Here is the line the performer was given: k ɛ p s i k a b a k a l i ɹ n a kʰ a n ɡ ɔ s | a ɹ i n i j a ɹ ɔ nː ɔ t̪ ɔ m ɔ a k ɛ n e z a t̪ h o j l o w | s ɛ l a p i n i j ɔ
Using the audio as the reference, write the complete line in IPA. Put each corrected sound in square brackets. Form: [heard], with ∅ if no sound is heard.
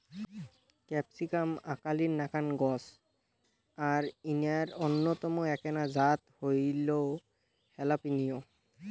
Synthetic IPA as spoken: k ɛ p s i k a [m] a k a l i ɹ n a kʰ a n ɡ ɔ s | a ɹ i n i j a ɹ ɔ nː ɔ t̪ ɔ m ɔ [ɛ] k ɛ n [a] z a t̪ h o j l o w | [h] ɛ l a p i n i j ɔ